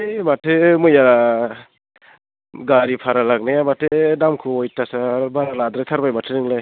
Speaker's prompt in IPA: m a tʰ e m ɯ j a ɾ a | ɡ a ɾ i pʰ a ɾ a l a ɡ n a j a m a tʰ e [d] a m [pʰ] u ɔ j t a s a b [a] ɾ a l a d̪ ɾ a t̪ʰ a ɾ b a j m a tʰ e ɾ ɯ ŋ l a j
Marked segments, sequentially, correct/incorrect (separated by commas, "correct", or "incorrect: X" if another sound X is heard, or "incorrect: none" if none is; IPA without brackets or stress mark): correct, incorrect: kʰ, correct